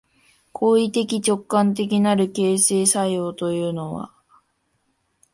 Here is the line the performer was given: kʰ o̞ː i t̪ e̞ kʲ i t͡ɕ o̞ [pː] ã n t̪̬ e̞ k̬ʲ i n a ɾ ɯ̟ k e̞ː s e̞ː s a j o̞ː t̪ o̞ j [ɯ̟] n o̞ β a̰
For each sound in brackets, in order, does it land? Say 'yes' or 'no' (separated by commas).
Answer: no, no